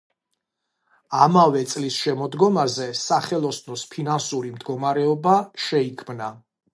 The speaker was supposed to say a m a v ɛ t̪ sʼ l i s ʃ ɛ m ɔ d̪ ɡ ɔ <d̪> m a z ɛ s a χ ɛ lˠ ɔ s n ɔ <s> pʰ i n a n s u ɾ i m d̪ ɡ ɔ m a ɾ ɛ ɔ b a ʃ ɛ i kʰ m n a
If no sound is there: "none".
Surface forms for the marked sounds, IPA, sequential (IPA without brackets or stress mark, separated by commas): none, s